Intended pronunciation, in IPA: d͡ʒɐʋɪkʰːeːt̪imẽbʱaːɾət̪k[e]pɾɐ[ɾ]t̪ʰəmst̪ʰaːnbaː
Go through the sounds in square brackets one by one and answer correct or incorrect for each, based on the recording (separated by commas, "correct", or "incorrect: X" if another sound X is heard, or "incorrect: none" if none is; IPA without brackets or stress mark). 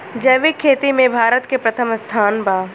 correct, incorrect: none